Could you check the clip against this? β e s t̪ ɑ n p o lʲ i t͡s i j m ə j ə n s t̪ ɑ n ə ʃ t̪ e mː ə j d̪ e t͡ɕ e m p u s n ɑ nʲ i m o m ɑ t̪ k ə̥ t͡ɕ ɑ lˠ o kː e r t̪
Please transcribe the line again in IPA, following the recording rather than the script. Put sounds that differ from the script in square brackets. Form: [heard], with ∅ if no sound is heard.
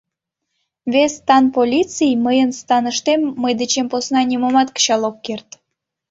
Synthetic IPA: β e s t̪ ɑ n p o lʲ i t͡s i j m ə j ə n s t̪ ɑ n ə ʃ t̪ e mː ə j d̪ e t͡ɕ e m p [o] s n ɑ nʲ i m o m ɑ t̪ k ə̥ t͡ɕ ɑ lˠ o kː e r t̪